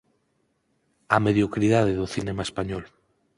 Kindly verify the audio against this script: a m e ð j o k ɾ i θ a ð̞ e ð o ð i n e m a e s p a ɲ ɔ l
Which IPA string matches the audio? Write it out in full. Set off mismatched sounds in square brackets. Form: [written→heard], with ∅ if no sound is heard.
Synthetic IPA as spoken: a m e ð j o k ɾ i [θ→ð] a ð̞ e ð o [ð→θ] i n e m a e s p a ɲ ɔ l